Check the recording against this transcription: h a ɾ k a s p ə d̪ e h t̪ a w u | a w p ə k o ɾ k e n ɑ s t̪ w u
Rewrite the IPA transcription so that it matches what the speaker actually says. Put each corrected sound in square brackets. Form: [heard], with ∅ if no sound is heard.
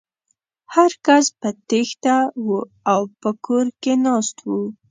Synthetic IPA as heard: h a ɾ k a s p ə [t̪] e [x] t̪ a w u | a w p ə k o ɾ k e n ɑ s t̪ w u